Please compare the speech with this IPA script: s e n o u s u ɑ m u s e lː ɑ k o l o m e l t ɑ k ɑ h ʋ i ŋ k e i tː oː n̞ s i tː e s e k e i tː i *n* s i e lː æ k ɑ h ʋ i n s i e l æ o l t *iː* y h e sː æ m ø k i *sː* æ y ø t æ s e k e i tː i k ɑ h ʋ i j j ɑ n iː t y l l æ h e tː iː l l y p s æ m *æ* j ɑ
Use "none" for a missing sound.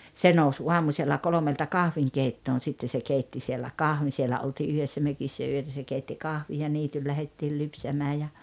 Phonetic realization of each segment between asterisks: none, iː, sː, æː

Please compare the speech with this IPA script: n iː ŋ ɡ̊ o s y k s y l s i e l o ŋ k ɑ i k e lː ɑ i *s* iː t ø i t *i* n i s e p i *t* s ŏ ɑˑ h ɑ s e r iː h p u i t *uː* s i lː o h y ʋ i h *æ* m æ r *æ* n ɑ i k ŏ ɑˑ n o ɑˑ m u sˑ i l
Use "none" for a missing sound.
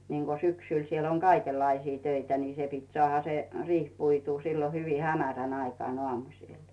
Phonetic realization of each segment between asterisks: s, æ, t, uː, æ, æ

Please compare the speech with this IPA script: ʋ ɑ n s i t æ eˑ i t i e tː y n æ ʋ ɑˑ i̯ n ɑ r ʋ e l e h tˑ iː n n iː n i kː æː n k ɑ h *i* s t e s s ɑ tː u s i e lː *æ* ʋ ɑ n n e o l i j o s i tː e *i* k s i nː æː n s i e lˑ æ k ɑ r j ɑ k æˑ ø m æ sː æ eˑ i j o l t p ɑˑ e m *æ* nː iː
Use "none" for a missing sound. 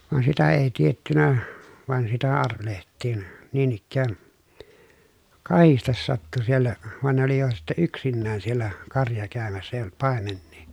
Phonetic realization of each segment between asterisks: i, æ, y, e

